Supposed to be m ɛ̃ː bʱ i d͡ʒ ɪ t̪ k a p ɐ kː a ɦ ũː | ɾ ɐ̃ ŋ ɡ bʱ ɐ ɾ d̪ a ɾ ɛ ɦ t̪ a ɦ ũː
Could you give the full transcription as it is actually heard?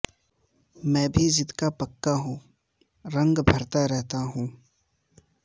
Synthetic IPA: m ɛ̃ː bʱ i d͡ʒ ɪ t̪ k a p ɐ kː a ɦ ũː | ɾ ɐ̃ ŋ ɡ bʱ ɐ ɾ t̪ a ɾ ɛ ɦ t̪ a ɦ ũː